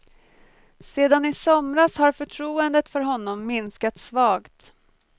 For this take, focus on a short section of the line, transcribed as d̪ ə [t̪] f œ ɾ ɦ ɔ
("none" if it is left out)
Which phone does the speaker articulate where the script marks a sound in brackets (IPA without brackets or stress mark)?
t̪